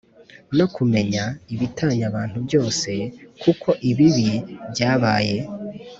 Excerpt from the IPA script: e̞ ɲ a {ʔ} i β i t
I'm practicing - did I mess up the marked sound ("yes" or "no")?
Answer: yes